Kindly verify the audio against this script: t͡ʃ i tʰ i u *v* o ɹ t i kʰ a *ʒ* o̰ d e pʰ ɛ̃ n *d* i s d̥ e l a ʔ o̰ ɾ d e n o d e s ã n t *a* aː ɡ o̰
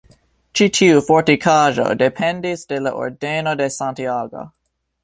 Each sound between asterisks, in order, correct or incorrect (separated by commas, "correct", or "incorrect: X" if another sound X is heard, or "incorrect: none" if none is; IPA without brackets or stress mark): incorrect: f, correct, correct, incorrect: i